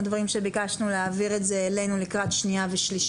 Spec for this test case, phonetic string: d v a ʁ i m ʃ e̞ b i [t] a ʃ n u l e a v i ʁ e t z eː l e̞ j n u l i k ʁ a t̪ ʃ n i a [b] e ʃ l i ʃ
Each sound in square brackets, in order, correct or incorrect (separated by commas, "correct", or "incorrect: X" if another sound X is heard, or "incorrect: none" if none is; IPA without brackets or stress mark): incorrect: k, incorrect: v